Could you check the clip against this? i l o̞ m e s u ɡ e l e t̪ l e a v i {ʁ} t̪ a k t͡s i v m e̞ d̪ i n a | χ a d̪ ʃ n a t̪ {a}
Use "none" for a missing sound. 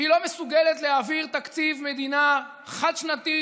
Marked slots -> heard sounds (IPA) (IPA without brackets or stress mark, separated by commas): ʁ, i